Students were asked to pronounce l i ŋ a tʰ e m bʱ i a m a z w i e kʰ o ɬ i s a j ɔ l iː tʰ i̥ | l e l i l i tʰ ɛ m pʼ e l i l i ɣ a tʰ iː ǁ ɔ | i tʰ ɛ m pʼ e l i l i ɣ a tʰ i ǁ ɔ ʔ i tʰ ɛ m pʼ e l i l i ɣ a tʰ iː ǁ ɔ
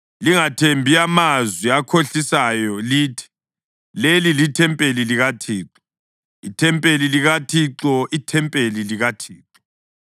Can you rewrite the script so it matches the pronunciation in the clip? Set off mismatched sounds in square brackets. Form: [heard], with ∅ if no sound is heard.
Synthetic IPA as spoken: l i ŋ a tʰ e m bʱ i a m a z w i [a] kʰ o ɬ i s a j ɔ l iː tʰ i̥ | l e l i l i tʰ ɛ m pʼ e l i l i ɣ a tʰ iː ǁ ɔ | i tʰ ɛ m pʼ e l i l i ɣ a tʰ i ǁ ɔ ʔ i tʰ ɛ m pʼ e l i l i ɣ a tʰ iː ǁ ɔ

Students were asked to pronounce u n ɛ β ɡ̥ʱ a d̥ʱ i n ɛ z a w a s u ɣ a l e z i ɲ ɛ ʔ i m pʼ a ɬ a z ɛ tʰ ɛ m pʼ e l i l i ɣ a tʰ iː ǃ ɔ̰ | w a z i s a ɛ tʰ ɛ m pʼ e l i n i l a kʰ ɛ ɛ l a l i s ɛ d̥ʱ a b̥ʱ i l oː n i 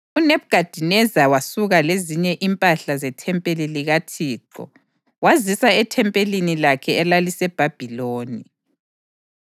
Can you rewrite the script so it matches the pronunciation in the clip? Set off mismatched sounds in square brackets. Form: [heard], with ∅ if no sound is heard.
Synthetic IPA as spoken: u n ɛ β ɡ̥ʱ a d̥ʱ i n ɛ z a w a s u ɣ a l e z i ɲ ɛ ʔ i m pʼ a ɬ a z ɛ tʰ ɛ m pʼ e l i l i ɣ a tʰ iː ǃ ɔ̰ | w a z i s a ɛ tʰ ɛ m pʼ e l i n i l a kʰ ɛ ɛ l a l i s ɛ [b̥ʱ] a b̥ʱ i l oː n i

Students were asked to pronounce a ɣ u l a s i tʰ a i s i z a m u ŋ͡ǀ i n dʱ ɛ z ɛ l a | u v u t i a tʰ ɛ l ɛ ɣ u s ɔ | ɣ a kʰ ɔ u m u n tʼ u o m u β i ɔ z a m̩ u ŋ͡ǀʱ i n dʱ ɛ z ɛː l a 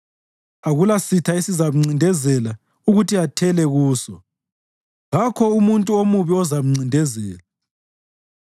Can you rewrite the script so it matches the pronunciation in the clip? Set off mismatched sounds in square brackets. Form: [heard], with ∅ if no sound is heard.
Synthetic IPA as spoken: a ɣ u l a s i tʰ a i s i z a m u ŋ͡ǀ i n dʱ ɛ z ɛ l a | u [ɣ] u t i a tʰ ɛ l ɛ ɣ [uː] s ɔ | ɣ a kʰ ɔ u m u n tʼ u o m u β i ɔ z a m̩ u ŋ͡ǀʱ i n dʱ ɛ z ɛː l a

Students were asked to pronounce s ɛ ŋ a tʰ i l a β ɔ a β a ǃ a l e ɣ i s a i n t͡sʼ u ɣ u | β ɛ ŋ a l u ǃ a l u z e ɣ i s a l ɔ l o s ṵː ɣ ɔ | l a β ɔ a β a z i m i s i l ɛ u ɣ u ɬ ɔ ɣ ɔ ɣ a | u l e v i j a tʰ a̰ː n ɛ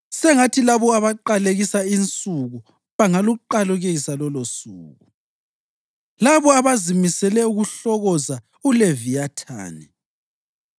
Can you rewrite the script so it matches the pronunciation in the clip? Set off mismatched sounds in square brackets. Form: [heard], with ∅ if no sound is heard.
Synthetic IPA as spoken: s ɛ ŋ a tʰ i l a β ɔ a β a ǃ a l e ɣ i s a i n t͡sʼ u ɣ u | β [a] ŋ a l u ǃ a l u [ɣ] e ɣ i s a l ɔ l o s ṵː ɣ [u] | l a β ɔ a β a z i m i s [ɛ] l ɛ u ɣ u ɬ ɔ ɣ ɔ [z] a | u l e v i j a tʰ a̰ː n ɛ

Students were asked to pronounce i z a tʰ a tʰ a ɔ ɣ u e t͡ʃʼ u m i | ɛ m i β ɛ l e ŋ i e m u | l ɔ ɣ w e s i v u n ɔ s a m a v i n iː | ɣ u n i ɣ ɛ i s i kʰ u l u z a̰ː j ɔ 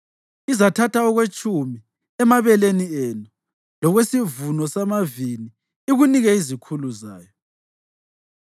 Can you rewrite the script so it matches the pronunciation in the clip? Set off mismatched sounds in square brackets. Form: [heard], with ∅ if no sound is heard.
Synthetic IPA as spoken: i z a tʰ a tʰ a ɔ ɣ [w] e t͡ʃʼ u m i | ɛ m [a] β ɛ l e [n] i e [n] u | l ɔ ɣ w e s i v u n ɔ s a m a v i n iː | ɣ u n i ɣ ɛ i [z] i kʰ u l u z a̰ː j ɔ

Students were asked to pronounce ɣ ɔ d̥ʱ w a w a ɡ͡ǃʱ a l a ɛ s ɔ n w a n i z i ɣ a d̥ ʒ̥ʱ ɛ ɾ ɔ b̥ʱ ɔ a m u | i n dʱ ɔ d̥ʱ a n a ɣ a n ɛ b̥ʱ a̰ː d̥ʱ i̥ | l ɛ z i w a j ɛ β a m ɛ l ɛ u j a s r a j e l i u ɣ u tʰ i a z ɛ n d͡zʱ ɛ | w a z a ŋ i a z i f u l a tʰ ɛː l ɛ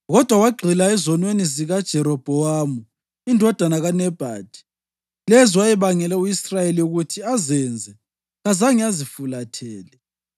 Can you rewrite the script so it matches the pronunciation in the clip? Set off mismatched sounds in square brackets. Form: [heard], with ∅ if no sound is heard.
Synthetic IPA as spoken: ɣ ɔ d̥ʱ w a w a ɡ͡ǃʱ [i] l a ɛ [z] ɔ n w [e] n i z i ɣ a d̥ ʒ̥ʱ ɛ ɾ ɔ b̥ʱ ɔ a m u | i n dʱ ɔ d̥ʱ a n a ɣ a n ɛ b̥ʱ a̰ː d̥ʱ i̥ | l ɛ z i w a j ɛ β a [ŋ] ɛ l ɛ u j [i] s r a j e l i u ɣ u tʰ i a z ɛ n d͡zʱ ɛ | [ɣ] a z a ŋ i a z i f u l a tʰ ɛː l ɛ

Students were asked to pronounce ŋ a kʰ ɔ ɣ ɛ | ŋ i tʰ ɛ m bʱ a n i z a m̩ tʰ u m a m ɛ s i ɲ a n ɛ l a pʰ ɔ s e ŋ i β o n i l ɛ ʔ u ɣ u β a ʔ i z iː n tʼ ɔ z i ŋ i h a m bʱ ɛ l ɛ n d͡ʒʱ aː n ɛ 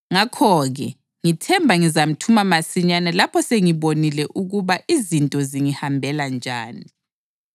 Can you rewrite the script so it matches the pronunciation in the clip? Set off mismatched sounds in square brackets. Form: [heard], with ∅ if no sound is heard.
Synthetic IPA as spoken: ŋ a kʰ ɔ ɣ ɛ | ŋ i tʰ ɛ m bʱ a [ŋ] i z a m̩ tʰ u m a m [a] s i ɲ a n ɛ l a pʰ ɔ s e ŋ i β o n i l ɛ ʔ u ɣ u β a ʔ i z [i] n tʼ ɔ z i ŋ i h a m bʱ ɛ l [a] n d͡ʒʱ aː n [i]

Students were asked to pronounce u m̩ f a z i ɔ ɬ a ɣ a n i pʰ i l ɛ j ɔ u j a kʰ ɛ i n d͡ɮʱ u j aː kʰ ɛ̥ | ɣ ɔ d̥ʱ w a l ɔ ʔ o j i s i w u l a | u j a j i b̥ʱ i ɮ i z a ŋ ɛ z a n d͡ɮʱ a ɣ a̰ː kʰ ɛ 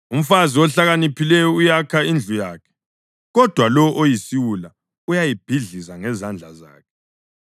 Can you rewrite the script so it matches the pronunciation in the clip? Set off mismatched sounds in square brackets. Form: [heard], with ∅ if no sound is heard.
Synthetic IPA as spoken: u m̩ f a z i ɔ ɬ a ɣ a n i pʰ i l ɛ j ɔ u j a kʰ [a] i n d͡ɮʱ u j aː kʰ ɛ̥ | ɣ ɔ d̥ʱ w a l ɔ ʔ o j i s i w u l a | u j a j i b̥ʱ i ɮ i z a ŋ ɛ z a n d͡ɮʱ a [z] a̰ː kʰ ɛ

